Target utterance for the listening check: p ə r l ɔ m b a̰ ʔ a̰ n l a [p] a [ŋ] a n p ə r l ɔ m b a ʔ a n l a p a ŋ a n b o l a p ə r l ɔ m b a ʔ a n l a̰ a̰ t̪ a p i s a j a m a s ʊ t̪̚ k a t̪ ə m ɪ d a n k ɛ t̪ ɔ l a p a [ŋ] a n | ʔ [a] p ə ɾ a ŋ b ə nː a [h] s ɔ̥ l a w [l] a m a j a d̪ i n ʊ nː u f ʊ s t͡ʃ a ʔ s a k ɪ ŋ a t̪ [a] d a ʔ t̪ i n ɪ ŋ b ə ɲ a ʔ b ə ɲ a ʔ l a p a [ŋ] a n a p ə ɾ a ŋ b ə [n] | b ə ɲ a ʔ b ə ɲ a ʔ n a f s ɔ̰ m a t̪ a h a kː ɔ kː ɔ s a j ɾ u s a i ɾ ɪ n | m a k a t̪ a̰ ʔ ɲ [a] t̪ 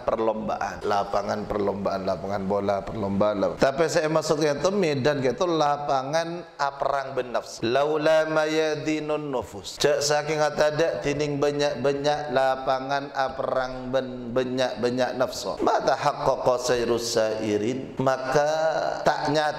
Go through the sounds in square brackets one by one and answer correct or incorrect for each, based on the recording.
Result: correct, correct, correct, correct, incorrect: f, correct, correct, correct, correct, correct

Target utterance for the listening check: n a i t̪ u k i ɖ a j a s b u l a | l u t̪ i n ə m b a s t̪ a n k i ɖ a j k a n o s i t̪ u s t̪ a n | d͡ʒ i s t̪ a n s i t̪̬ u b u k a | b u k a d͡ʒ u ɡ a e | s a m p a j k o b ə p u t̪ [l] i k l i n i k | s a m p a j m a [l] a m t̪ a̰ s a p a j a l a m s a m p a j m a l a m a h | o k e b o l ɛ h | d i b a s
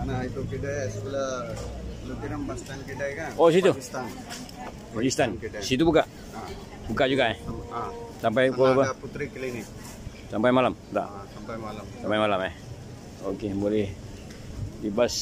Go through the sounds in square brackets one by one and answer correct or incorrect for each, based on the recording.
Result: incorrect: ɾ, correct

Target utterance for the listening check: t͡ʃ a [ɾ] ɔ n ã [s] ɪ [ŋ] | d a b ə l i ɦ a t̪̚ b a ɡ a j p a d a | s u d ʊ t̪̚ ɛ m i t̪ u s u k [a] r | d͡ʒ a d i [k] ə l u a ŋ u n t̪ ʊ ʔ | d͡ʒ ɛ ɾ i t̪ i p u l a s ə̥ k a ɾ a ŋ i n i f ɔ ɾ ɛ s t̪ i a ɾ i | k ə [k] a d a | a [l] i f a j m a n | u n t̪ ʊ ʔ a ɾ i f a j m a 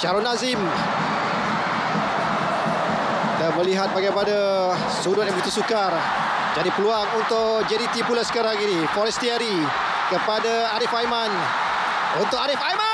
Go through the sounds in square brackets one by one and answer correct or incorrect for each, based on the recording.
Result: correct, incorrect: z, incorrect: m, correct, incorrect: p, incorrect: p, incorrect: ɾ

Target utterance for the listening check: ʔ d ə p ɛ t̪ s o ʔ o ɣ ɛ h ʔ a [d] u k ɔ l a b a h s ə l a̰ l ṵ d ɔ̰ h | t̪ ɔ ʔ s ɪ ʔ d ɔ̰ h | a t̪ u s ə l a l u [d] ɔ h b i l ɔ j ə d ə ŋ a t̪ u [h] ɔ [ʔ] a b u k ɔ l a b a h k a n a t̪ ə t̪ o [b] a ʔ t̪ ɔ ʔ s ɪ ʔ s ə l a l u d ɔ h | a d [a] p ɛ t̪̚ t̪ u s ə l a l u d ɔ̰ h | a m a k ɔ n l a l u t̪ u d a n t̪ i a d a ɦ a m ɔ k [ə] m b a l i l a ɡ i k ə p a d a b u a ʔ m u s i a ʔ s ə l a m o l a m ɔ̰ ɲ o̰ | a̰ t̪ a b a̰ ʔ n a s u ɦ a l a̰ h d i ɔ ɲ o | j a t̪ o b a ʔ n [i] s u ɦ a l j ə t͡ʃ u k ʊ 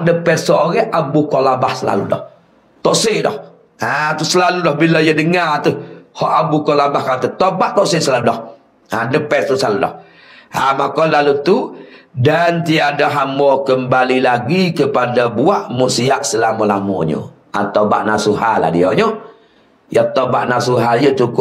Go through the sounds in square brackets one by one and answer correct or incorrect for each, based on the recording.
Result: incorrect: b, correct, correct, correct, correct, incorrect: ə, correct, incorrect: a

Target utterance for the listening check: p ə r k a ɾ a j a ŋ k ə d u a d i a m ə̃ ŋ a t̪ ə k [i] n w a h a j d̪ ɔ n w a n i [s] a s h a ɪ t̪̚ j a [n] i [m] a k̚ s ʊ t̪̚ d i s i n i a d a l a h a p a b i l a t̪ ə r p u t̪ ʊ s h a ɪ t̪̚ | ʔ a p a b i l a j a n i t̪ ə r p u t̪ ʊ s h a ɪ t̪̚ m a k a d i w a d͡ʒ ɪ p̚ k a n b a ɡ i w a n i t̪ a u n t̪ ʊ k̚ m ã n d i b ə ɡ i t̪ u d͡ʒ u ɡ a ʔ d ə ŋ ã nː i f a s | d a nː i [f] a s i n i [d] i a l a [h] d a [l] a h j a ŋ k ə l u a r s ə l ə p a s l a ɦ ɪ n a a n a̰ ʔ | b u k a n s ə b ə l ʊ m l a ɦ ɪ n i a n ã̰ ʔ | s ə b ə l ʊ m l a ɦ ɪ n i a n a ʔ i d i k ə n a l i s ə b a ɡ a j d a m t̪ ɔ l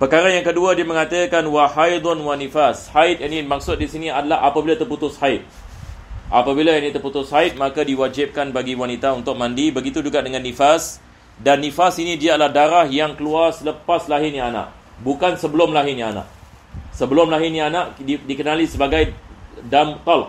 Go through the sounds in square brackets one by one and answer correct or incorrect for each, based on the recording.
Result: incorrect: a, incorrect: f, correct, correct, correct, correct, correct, incorrect: ɾ

